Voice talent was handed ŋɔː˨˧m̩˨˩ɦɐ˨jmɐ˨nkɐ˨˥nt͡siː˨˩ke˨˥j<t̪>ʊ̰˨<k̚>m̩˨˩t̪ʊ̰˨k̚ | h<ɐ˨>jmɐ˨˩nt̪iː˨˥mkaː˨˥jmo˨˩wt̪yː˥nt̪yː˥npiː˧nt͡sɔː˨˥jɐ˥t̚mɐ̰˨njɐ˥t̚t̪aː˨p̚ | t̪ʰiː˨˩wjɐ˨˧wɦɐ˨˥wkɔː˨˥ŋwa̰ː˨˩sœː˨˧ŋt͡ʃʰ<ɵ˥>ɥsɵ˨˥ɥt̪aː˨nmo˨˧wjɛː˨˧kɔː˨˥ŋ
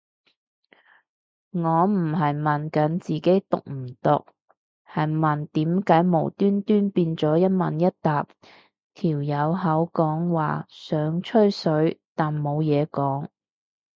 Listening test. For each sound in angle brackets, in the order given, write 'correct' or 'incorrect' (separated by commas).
correct, correct, correct, correct